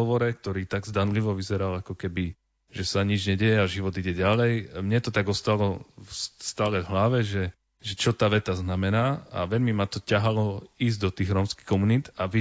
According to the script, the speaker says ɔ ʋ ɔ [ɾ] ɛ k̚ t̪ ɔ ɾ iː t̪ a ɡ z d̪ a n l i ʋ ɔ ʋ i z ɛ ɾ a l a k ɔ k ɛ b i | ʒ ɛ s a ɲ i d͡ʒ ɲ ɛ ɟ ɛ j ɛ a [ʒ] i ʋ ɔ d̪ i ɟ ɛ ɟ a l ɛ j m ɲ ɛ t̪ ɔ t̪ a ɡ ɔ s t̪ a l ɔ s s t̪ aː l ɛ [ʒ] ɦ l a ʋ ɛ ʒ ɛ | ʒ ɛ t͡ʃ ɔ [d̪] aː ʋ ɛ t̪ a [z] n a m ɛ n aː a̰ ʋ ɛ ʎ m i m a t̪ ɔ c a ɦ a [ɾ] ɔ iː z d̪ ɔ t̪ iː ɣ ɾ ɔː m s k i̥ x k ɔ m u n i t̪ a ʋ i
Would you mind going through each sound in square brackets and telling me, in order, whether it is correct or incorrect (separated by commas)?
correct, correct, incorrect, incorrect, correct, incorrect